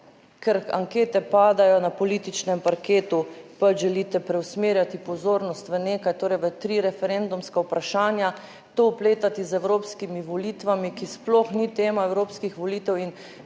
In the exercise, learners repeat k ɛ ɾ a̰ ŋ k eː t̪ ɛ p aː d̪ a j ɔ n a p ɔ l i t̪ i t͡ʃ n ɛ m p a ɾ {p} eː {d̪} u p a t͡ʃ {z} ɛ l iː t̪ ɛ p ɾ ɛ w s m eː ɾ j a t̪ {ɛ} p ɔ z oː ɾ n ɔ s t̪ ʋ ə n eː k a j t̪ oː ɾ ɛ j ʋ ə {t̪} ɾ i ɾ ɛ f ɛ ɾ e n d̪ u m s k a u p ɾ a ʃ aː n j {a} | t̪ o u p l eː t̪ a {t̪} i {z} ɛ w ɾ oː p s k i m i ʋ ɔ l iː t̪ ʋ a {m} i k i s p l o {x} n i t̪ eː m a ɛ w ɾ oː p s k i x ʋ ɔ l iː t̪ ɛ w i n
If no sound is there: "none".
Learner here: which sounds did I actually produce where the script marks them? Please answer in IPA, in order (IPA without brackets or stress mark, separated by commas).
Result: k, t̪, ʒ, i, t̪, a, t̪, z, m, x